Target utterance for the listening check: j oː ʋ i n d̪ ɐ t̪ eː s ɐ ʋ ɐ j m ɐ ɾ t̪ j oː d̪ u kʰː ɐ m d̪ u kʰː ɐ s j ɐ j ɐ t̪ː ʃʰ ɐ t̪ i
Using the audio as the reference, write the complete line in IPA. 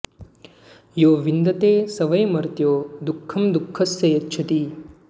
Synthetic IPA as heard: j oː ʋ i n d̪ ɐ t̪ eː s ɐ ʋ ɐ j m ɐ ɾ t̪ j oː d̪ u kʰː ɐ m d̪ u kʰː ɐ s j ɐ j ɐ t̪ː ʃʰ ɐ t̪ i